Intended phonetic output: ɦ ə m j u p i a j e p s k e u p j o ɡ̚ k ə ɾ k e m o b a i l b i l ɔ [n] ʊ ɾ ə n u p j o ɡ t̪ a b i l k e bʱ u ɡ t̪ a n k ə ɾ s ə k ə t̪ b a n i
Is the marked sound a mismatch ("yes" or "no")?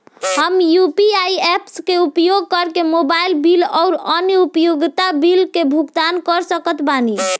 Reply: yes